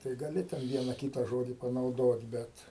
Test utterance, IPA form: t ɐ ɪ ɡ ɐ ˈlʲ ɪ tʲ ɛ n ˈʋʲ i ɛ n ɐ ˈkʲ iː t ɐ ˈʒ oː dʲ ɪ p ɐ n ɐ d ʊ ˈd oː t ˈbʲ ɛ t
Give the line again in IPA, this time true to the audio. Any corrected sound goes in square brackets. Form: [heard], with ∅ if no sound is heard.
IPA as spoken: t ɐ ɪ ɡ ɐ ˈlʲ ɪ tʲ ɛ n ˈʋʲ i ɛ n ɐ ˈkʲ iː t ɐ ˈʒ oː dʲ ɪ p ɐ n ɐ [∅] ʊ ˈd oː t ˈbʲ ɛ t